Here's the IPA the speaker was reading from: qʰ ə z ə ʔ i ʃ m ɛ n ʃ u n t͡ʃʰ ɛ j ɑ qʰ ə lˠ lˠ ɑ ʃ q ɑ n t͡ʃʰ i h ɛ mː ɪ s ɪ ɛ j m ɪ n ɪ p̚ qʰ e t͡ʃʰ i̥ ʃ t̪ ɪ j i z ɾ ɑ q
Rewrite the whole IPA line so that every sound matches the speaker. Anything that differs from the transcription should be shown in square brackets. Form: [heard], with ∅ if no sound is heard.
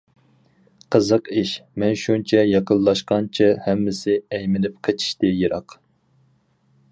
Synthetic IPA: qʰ ə z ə [q] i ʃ m ɛ n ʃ u n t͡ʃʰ ɛ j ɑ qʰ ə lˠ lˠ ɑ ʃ q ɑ n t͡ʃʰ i h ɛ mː ɪ s ɪ ɛ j m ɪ n ɪ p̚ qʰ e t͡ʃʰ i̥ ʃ t̪ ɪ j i [∅] ɾ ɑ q